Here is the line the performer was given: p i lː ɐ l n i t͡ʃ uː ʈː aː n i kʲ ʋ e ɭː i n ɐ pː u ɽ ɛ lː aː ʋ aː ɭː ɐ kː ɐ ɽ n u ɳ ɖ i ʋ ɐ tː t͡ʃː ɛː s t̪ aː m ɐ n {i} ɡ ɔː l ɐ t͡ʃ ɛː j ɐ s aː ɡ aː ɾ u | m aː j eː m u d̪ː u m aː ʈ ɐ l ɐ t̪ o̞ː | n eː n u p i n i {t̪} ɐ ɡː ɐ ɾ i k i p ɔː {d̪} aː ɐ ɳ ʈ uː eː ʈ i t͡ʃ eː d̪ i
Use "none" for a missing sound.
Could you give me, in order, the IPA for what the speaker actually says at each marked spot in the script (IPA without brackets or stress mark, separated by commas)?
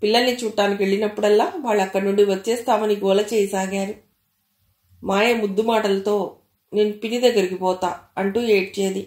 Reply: i, d̪, t̪